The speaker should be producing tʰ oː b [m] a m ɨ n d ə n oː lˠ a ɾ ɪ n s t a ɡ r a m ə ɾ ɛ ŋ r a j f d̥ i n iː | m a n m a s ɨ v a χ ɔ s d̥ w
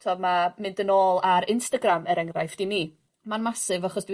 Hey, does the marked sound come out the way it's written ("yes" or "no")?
yes